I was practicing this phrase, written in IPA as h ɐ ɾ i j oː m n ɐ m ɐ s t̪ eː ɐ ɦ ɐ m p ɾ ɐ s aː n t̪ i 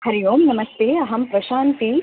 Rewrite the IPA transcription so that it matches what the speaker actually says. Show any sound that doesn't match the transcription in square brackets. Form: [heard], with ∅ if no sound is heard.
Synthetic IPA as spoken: h ɐ ɾ i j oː m n ɐ m ɐ s t̪ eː ɐ ɦ ɐ m p ɾ ɐ [ʃ] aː n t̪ i

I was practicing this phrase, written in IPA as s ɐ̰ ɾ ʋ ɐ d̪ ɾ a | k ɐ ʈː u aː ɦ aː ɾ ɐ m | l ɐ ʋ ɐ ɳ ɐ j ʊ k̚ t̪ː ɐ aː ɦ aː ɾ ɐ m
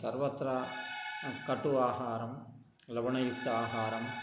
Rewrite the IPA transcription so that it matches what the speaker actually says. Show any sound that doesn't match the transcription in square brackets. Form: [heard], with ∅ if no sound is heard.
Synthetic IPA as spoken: s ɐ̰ ɾ ʋ ɐ [t̪] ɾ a | k ɐ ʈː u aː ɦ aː ɾ ɐ m | l ɐ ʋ ɐ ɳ ɐ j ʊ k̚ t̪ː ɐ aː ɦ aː ɾ ɐ m

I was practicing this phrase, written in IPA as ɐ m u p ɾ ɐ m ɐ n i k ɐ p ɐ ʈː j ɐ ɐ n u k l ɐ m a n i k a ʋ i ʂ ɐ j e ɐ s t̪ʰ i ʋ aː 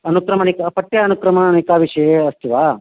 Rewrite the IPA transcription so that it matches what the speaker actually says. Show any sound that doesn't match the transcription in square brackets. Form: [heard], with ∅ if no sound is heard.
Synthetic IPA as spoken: ɐ [n] u [k] ɾ ɐ m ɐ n i k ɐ p ɐ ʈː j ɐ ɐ n u k [ɾ] ɐ m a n i k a ʋ i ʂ ɐ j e ɐ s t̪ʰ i ʋ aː

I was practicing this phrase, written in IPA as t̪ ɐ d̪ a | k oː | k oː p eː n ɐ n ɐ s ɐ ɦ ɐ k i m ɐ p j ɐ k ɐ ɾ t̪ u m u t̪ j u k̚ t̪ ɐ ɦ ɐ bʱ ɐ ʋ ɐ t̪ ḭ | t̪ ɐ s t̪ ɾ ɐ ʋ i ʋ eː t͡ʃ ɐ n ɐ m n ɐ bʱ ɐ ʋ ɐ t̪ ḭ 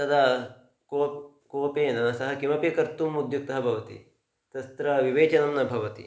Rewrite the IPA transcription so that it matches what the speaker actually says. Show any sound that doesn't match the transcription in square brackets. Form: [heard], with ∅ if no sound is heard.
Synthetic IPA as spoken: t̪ ɐ d̪ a | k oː | k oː p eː n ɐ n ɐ s ɐ ɦ ɐ k i m ɐ p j ɐ k ɐ ɾ t̪ u m u [d̪] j u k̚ t̪ ɐ ɦ ɐ bʱ ɐ ʋ ɐ t̪ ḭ | t̪ ɐ s t̪ ɾ ɐ ʋ i ʋ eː t͡ʃ ɐ n ɐ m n ɐ bʱ ɐ ʋ ɐ t̪ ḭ

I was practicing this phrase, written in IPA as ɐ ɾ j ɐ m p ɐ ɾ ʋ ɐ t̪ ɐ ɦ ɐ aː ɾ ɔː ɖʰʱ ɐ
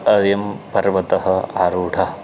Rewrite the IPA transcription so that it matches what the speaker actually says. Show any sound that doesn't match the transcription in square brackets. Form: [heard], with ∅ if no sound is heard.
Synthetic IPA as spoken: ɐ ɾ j ɐ m p ɐ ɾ ʋ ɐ t̪ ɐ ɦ ɐ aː ɾ [uː] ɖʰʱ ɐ

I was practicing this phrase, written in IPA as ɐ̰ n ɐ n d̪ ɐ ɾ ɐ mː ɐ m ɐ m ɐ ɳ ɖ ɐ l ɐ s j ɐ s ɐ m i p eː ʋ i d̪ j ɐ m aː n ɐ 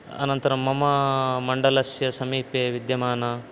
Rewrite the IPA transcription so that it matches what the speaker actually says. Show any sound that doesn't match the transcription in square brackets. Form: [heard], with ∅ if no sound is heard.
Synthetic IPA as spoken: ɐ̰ n ɐ n [t̪] ɐ ɾ ɐ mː ɐ m ɐ m ɐ ɳ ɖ ɐ l ɐ s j ɐ s ɐ m [iː] p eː ʋ i d̪ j ɐ m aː n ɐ

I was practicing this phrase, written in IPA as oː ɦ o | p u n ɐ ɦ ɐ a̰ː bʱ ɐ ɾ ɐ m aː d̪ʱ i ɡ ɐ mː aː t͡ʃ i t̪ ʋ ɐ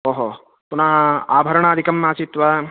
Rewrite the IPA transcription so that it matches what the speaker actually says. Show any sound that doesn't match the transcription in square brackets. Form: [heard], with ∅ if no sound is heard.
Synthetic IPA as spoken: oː ɦ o | p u n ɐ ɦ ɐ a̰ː bʱ ɐ ɾ ɐ [ɳ] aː d̪ʱ i [k] ɐ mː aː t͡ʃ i t̪ ʋ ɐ

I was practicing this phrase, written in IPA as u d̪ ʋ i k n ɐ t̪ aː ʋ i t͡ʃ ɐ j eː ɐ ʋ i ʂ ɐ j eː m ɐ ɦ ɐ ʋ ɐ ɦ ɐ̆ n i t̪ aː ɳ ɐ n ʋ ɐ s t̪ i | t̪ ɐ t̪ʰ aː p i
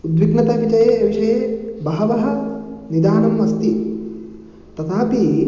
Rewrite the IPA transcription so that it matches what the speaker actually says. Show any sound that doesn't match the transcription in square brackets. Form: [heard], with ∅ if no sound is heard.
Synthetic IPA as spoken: u d̪ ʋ i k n ɐ t̪ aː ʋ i t͡ʃ ɐ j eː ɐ ʋ i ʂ ɐ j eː [b] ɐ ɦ ɐ ʋ ɐ ɦ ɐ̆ n i [d̪] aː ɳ ɐ [m] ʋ ɐ s t̪ i | t̪ ɐ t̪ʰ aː p i

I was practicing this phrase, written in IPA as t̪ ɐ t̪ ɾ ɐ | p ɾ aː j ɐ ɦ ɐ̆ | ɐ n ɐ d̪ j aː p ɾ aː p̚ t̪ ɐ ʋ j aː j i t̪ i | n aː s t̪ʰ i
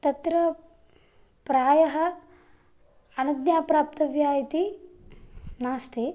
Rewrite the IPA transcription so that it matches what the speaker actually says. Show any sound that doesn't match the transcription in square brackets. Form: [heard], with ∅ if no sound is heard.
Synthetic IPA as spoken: t̪ ɐ t̪ ɾ ɐ | p ɾ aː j ɐ ɦ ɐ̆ | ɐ n ɐ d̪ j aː p ɾ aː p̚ t̪ ɐ ʋ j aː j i t̪ i | n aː s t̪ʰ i

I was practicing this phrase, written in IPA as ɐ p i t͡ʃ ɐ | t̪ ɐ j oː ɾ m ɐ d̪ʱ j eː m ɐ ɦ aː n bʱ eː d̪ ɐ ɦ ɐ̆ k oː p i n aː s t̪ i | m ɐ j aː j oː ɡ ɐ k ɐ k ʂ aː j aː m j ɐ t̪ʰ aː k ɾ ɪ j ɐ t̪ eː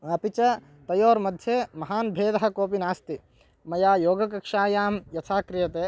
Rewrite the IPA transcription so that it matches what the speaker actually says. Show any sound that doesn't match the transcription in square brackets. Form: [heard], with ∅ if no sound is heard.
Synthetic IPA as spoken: ɐ p i t͡ʃ ɐ | t̪ ɐ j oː ɾ m ɐ d̪ʱ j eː m ɐ ɦ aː n bʱ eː d̪ ɐ ɦ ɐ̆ k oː p i n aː s t̪ i | m ɐ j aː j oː ɡ ɐ k ɐ k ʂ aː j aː m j ɐ t̪ʰ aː k ɾ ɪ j ɐ t̪ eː

